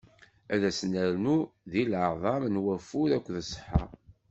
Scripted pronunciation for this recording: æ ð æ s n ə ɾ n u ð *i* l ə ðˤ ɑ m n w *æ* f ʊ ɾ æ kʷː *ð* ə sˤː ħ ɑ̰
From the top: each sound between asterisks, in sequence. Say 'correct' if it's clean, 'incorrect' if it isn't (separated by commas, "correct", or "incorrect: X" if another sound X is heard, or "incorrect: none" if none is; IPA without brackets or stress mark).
correct, correct, correct